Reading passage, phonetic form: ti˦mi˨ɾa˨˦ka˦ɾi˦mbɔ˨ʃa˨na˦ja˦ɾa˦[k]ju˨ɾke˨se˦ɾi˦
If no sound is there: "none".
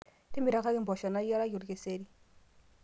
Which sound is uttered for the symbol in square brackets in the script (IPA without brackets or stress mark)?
none